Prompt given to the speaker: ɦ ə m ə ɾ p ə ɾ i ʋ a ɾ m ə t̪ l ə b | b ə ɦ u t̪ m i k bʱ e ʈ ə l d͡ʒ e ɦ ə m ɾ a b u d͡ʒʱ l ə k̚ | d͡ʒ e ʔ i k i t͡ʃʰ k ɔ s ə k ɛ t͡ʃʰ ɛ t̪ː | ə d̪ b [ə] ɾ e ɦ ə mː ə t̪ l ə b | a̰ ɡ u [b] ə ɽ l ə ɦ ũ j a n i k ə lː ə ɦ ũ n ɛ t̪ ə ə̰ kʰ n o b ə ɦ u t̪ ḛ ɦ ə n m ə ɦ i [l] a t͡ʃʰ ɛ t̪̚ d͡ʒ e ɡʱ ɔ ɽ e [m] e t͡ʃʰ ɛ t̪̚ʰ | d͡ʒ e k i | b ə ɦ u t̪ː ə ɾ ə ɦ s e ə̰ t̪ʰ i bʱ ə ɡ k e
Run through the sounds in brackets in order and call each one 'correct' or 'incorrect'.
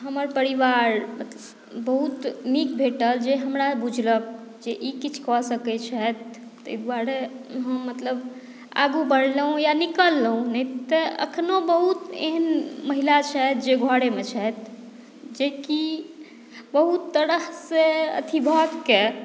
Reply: incorrect: a, correct, correct, correct

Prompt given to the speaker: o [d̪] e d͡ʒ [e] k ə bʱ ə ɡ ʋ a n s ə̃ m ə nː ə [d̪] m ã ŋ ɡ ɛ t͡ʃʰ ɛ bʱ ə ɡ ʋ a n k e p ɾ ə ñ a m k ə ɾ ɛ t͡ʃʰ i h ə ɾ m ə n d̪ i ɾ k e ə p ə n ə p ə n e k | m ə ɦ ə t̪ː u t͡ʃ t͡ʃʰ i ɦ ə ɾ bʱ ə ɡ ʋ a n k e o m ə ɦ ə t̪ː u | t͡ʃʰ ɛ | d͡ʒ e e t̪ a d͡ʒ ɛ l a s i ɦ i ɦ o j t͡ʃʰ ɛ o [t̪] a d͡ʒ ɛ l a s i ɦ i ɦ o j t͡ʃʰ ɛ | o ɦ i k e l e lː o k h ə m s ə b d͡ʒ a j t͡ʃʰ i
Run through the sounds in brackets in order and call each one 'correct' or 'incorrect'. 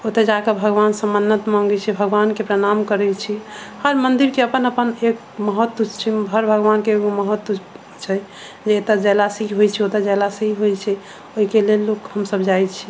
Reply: incorrect: t̪, incorrect: a, incorrect: t̪, correct

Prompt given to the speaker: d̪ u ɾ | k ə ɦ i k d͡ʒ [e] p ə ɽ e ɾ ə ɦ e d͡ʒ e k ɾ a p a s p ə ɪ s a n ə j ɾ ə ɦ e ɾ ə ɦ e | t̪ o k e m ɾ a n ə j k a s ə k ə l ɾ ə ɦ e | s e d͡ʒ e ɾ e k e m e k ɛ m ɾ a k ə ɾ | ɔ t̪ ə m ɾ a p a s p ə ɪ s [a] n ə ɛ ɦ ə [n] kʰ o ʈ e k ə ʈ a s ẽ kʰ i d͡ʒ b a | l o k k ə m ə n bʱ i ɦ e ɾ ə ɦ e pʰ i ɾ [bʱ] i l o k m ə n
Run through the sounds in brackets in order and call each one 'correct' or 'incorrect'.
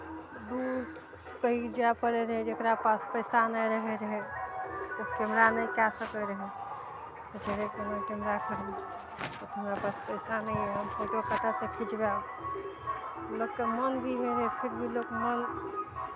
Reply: incorrect: a, correct, incorrect: m, correct

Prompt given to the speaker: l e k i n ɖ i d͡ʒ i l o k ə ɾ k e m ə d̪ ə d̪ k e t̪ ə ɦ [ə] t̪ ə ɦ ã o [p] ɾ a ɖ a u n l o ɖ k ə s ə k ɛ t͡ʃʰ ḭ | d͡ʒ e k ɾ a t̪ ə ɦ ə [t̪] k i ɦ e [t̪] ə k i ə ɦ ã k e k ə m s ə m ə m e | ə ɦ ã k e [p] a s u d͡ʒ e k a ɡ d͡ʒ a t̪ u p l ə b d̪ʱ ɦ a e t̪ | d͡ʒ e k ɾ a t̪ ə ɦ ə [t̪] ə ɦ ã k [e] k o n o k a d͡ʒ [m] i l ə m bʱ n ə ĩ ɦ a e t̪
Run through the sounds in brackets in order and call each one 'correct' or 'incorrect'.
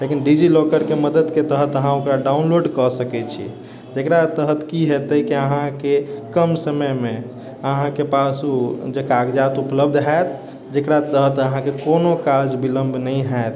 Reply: correct, incorrect: k, correct, correct, correct, correct, correct, incorrect: b

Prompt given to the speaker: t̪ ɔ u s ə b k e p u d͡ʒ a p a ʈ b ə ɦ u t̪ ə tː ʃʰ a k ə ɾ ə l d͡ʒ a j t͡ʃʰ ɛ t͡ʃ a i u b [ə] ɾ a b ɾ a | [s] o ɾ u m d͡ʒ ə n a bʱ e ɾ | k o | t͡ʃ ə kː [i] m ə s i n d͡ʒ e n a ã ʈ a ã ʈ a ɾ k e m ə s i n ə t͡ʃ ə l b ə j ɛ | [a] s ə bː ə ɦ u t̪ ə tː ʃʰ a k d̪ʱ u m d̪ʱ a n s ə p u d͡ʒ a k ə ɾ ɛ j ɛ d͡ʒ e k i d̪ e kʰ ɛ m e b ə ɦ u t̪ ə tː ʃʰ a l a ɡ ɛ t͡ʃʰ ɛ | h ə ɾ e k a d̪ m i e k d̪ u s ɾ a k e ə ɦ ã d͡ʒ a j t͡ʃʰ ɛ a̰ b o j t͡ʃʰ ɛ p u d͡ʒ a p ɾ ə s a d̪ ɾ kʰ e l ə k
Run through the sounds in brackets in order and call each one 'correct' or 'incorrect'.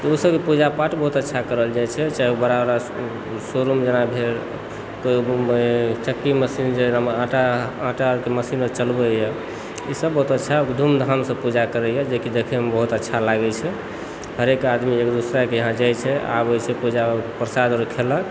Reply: correct, correct, correct, incorrect: i

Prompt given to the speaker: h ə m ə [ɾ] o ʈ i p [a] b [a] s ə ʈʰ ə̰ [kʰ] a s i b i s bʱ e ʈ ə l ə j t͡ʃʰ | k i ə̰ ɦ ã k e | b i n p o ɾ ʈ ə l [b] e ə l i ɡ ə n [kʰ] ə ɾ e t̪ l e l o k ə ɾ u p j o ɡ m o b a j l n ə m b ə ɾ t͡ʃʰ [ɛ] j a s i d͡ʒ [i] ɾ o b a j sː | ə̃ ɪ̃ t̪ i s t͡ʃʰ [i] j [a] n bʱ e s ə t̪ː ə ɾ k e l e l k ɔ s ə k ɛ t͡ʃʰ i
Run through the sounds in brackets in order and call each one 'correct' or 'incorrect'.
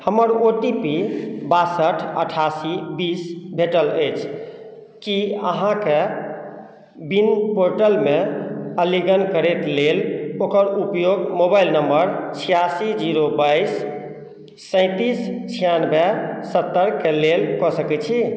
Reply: correct, incorrect: i, correct, incorrect: ʈʰ, incorrect: m, incorrect: k, incorrect: i, correct, correct, correct

